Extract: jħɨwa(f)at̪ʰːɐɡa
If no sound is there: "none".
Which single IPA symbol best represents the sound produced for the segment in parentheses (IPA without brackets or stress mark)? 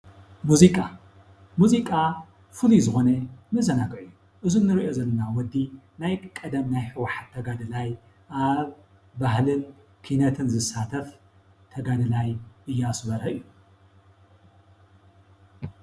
ħ